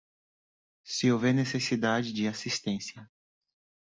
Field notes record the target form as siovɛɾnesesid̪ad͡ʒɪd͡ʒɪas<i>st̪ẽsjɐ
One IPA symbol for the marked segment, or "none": i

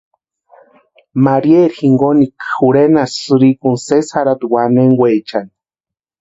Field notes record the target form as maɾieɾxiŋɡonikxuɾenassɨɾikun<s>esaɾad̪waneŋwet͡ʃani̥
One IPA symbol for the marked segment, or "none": s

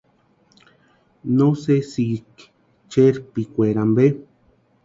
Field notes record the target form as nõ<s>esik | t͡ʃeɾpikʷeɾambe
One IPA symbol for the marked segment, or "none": s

